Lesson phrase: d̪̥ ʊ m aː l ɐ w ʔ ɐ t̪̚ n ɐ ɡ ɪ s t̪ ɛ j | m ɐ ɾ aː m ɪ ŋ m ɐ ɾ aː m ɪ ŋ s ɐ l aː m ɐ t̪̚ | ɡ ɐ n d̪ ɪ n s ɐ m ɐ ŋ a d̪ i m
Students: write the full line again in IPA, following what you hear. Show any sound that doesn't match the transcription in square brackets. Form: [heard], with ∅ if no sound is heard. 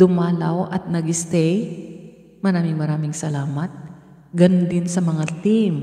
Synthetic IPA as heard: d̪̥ ʊ m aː l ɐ w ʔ ɐ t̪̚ n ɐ ɡ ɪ s t̪ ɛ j | m ɐ ɾ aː m ɪ ŋ m ɐ ɾ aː m ɪ ŋ s ɐ l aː m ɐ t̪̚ | ɡ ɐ n d̪ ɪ n s ɐ m ɐ ŋ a [t̪] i m